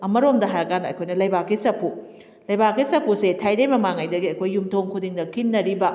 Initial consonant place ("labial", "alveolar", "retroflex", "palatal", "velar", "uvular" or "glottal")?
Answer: labial